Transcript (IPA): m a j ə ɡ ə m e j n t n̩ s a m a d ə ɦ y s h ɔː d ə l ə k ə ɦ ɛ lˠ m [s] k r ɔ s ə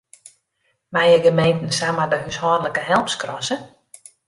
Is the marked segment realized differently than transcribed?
no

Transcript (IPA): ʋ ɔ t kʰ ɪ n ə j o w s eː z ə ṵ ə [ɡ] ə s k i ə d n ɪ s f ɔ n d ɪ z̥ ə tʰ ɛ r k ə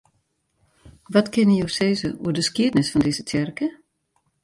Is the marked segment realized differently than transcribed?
yes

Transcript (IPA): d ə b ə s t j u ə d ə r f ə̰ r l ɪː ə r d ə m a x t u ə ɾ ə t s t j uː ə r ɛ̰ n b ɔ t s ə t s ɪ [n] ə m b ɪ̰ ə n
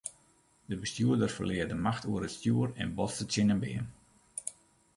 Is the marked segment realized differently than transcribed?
no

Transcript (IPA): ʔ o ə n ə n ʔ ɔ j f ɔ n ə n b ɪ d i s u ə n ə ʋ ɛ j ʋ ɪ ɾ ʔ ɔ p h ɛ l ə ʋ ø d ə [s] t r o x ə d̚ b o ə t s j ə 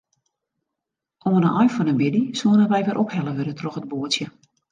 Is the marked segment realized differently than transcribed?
yes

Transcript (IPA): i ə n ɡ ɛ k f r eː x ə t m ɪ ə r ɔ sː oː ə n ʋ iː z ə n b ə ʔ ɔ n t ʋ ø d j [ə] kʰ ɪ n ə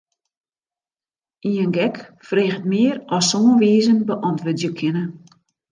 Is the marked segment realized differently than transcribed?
no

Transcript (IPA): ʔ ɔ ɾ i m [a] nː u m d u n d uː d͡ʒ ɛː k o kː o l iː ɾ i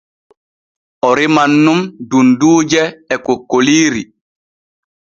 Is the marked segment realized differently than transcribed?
no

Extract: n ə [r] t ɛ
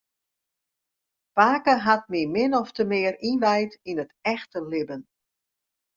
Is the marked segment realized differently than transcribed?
yes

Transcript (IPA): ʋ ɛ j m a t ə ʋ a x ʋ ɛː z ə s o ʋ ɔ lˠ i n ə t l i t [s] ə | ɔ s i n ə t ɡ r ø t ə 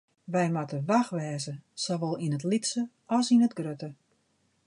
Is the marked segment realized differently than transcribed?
no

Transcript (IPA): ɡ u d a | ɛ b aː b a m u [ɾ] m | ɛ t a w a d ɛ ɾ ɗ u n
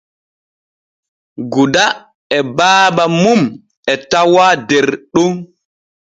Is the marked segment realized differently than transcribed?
yes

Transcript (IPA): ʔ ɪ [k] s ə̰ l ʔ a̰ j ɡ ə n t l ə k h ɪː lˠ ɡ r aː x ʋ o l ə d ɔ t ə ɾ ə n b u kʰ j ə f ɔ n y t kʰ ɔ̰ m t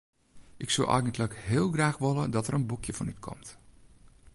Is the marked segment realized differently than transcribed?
no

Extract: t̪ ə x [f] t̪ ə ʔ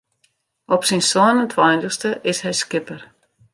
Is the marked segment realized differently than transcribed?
yes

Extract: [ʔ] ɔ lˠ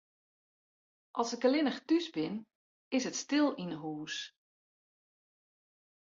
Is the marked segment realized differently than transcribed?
no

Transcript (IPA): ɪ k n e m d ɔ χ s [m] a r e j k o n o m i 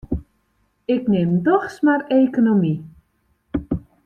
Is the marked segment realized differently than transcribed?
no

